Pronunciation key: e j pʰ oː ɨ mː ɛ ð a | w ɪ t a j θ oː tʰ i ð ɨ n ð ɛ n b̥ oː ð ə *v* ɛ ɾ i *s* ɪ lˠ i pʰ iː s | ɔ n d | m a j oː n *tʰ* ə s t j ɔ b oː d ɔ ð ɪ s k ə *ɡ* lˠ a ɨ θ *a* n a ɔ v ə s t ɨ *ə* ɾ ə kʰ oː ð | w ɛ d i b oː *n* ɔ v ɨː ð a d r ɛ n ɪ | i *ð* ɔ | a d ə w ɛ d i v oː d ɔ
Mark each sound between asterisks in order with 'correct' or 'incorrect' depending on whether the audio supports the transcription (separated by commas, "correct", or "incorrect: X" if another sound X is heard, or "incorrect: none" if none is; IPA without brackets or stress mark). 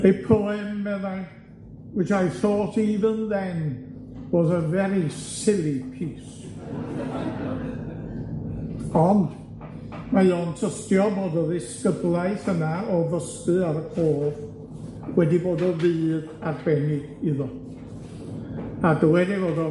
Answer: correct, correct, correct, incorrect: b, incorrect: ə, incorrect: a, incorrect: d, correct